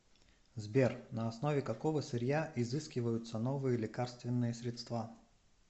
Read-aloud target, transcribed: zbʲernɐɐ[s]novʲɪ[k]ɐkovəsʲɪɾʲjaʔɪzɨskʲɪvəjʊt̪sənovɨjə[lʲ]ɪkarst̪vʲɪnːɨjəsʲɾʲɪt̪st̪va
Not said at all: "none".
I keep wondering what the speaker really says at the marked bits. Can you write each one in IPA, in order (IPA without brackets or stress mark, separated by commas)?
s, k, lʲ